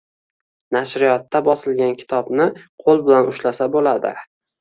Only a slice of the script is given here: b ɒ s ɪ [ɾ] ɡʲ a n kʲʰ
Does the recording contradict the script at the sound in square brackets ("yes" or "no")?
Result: yes